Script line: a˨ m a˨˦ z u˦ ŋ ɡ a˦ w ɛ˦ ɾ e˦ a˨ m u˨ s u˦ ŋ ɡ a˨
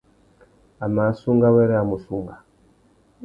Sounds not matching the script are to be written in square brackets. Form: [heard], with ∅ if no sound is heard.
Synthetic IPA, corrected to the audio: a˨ m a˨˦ [s] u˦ ŋ ɡ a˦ w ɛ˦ ɾ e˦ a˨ m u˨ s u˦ ŋ ɡ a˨